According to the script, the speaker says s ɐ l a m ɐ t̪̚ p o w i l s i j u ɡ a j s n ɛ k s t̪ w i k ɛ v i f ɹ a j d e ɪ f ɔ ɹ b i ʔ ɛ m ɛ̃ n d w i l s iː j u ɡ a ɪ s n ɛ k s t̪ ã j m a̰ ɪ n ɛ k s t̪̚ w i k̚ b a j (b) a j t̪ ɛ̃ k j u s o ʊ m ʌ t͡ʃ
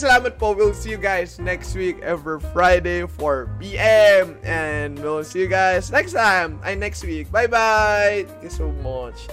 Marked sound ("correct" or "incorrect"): correct